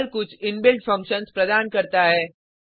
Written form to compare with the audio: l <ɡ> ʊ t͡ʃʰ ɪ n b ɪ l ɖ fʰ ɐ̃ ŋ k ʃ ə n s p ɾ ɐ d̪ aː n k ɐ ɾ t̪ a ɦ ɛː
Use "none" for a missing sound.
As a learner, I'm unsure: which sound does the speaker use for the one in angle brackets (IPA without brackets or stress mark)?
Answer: k